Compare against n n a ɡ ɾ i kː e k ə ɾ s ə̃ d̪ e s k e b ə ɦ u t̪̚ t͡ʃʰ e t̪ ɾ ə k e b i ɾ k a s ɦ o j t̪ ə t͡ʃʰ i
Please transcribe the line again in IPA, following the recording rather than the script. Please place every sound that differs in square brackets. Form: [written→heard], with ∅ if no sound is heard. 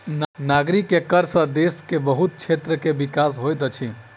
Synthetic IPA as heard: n n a ɡ ɾ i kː e k ə ɾ s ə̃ d̪ e s k e b ə ɦ u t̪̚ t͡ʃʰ e t̪ ɾ ə k e b i [ɾ→∅] k a s ɦ o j t̪ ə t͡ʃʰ i